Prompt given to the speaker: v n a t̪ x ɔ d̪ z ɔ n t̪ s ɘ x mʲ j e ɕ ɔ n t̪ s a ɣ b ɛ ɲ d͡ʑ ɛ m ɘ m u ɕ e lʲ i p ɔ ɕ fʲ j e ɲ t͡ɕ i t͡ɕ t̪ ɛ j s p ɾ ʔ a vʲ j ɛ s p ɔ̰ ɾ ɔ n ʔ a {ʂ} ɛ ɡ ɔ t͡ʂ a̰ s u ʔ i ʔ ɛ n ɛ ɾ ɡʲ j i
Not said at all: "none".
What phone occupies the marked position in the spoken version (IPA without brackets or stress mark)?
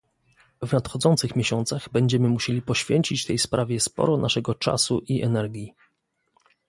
ʂ